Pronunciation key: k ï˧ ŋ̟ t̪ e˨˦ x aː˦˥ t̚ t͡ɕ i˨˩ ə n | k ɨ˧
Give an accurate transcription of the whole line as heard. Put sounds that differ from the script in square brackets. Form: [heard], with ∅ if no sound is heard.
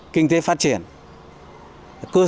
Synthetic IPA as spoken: k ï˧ ŋ̟ t̪ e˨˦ [f] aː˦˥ t̚ t͡ɕ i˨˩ ə n | k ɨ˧